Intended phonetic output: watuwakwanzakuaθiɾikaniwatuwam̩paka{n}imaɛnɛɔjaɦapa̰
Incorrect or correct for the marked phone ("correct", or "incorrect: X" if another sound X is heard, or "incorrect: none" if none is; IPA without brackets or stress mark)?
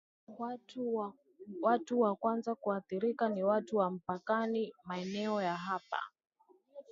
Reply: correct